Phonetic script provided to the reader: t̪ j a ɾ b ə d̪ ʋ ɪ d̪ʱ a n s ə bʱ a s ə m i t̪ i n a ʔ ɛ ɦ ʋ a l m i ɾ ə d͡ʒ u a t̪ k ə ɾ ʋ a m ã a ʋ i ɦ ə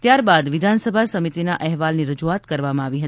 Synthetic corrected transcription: t̪ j a ɾ b a d̪ ʋ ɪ d̪ʱ a n s ə bʱ a s ə m i t̪ i n a ʔ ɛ ɦ ʋ a l n i ɾ ə d͡ʒ u a t̪ k ə ɾ ʋ a m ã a ʋ i ɦ ə